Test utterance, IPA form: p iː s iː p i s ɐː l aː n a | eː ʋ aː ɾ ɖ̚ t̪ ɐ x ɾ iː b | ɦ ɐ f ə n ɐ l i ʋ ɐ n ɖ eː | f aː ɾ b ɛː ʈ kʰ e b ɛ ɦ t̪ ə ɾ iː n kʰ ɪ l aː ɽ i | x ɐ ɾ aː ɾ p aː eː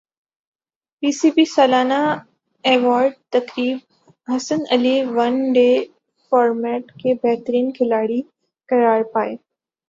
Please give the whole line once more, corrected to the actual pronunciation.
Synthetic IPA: p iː s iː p i s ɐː l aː n a | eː ʋ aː ɾ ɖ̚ t̪ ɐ k ɾ iː b | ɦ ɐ s ə n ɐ l i ʋ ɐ n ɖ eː | f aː ɾ m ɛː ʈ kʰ e b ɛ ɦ t̪ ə ɾ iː n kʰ ɪ l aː ɽ i | k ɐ ɾ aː ɾ p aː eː